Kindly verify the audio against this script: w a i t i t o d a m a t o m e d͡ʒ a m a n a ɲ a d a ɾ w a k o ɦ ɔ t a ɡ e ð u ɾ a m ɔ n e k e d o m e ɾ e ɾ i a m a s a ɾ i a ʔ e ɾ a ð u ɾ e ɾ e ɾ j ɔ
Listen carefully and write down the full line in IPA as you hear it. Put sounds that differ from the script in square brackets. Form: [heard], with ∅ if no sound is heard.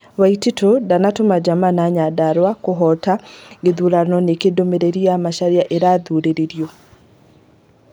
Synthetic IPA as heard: w a i t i t o d a [n] a t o m [a] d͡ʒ a m a n a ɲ a d a ɾ w a k o ɦ ɔ t a ɡ e ð u ɾ a [n] ɔ n e k e d o m e ɾ e ɾ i a m a [ʃ] a ɾ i a ʔ e ɾ a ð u ɾ e ɾ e ɾ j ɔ